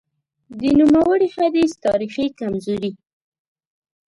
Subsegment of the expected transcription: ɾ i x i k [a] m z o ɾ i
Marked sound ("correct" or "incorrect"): correct